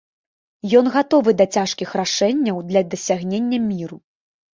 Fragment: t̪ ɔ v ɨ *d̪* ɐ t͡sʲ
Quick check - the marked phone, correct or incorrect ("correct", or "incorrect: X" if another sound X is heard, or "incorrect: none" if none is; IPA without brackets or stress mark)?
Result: correct